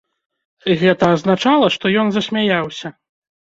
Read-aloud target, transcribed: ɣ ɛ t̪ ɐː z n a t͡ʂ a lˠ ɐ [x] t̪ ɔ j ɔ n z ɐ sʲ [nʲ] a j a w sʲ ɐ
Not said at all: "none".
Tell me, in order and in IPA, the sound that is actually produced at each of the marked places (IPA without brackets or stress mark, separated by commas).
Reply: ʂ, mʲ